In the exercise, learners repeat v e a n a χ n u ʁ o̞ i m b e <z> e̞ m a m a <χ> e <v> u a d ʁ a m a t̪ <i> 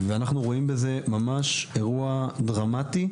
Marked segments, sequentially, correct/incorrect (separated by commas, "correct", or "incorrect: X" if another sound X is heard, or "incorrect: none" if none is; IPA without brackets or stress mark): correct, incorrect: ʃ, incorrect: ʁ, correct